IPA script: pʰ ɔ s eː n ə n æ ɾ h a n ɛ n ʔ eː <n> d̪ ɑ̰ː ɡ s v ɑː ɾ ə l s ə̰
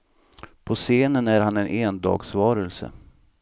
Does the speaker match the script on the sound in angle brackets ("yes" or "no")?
yes